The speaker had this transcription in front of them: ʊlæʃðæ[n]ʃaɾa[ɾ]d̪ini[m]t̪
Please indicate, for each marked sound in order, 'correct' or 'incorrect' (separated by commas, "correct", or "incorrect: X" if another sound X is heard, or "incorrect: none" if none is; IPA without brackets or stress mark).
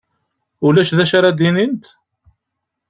incorrect: none, incorrect: none, incorrect: n